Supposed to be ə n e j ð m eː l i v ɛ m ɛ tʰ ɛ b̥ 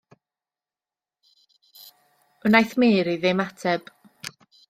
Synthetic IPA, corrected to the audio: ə n a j θ m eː ɾ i ð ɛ m a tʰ ɛ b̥